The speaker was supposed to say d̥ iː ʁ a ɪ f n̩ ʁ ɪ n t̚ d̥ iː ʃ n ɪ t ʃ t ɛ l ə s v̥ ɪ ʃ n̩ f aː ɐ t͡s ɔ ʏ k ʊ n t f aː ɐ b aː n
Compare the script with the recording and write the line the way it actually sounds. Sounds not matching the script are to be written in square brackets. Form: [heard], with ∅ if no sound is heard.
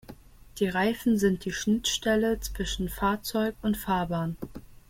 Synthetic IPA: d̥ iː ʁ a ɪ f n̩ [z] ɪ n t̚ d̥ iː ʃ n ɪ t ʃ t ɛ l ə [t͡s] v̥ ɪ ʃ n̩ f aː ɐ t͡s ɔ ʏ k ʊ n t f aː ɐ b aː n